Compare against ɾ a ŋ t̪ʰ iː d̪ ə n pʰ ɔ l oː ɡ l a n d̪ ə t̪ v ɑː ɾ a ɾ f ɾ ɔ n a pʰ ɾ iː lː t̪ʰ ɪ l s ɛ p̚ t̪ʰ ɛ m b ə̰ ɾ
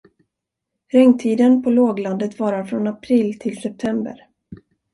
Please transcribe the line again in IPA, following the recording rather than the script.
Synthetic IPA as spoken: ɾ ɛ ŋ t̪ʰ iː d̪ ə n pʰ ɔ l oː ɡ l a n d̪ ə t̪ v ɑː ɾ a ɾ f ɾ ɔ n a pʰ ɾ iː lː t̪ʰ ɪ l s ɛ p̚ t̪ʰ ɛ m b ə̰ ɾ